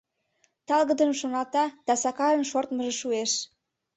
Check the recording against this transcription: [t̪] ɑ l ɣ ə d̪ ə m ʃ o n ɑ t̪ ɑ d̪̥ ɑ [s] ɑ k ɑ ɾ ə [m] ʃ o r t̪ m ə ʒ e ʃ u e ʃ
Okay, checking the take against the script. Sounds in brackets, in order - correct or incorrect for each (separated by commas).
correct, correct, incorrect